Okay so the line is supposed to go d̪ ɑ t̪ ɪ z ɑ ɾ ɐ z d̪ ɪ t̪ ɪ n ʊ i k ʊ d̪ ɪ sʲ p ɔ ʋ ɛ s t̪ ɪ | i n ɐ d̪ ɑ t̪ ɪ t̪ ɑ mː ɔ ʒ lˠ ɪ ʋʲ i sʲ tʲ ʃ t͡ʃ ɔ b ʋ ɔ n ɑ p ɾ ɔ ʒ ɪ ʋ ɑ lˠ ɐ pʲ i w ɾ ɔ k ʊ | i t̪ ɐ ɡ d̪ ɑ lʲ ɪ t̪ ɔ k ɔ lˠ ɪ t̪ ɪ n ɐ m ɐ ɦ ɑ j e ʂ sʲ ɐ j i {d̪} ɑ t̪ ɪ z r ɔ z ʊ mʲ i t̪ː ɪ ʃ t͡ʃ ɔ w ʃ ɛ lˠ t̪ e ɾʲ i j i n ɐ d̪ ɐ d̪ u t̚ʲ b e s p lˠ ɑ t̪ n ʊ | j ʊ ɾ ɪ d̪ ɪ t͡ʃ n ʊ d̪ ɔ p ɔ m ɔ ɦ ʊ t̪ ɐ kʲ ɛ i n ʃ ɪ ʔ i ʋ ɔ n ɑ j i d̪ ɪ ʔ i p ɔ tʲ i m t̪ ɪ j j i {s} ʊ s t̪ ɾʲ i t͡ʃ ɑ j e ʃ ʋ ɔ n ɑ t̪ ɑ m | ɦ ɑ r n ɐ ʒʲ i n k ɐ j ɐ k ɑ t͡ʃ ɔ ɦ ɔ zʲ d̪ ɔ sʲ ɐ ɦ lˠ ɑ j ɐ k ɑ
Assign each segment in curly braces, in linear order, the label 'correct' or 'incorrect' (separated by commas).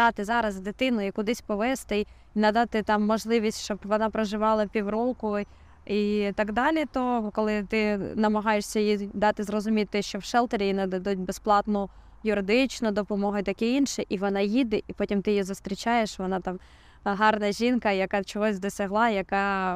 correct, incorrect